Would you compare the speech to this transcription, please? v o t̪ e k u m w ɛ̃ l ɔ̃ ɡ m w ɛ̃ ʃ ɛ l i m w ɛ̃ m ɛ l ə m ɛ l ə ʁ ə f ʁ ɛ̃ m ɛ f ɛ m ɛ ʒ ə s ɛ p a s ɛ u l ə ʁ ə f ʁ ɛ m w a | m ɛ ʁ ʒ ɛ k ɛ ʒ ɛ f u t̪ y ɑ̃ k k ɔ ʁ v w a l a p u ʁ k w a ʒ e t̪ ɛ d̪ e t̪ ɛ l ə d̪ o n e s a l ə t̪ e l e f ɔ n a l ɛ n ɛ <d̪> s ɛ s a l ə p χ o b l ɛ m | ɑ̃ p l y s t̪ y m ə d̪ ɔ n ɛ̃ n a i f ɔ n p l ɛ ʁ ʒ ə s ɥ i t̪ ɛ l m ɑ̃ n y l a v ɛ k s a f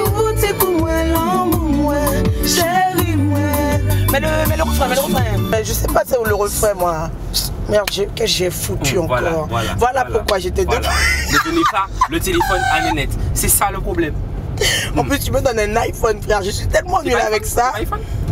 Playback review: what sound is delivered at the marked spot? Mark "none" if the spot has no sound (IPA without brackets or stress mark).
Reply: t̪